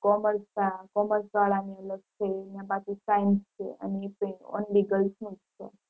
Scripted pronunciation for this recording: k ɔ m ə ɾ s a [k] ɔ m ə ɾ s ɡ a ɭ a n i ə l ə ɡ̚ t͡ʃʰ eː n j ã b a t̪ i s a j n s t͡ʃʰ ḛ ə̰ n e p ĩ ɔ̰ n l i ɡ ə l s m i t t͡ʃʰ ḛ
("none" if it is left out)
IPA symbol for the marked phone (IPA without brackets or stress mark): k